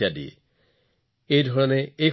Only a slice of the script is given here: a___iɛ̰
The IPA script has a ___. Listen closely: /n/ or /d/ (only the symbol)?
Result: d